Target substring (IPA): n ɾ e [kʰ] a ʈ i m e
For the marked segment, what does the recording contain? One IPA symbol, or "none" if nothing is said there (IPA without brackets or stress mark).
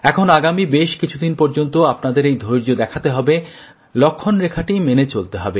kʰ